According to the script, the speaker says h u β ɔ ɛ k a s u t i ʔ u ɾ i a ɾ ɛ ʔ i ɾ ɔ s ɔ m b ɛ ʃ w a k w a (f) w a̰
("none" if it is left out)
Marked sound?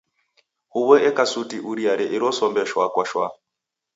ʃ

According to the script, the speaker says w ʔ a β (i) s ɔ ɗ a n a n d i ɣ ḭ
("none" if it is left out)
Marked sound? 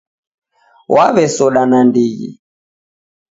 ɛ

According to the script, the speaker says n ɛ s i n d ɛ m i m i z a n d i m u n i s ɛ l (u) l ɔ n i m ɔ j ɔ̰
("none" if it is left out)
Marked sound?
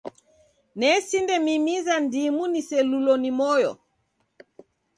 u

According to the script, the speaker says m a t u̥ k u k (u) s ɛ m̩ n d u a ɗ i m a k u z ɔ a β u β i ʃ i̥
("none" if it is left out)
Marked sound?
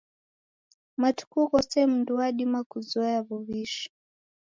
ɔ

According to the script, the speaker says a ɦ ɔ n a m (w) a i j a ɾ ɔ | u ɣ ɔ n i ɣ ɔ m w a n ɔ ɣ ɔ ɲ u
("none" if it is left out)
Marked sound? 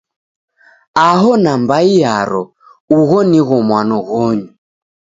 b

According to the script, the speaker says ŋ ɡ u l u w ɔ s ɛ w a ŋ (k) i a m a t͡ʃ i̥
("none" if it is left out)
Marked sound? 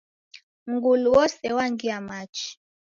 ɡ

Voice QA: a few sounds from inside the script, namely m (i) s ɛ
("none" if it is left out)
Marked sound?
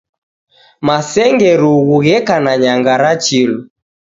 a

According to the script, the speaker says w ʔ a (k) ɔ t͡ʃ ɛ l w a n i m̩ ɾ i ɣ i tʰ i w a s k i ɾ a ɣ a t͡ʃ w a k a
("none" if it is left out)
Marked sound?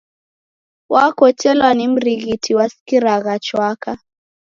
k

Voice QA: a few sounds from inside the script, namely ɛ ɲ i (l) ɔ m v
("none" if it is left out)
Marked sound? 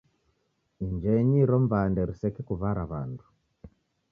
ɾ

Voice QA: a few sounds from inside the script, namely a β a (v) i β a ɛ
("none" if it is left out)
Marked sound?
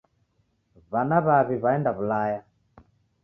β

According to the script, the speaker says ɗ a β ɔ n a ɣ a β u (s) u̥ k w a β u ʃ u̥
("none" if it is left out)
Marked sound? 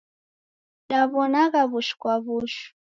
ʃ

